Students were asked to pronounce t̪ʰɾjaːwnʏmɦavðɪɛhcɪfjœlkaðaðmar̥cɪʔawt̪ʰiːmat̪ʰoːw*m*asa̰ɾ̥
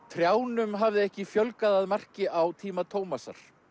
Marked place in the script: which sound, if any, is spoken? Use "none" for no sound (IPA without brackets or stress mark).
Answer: m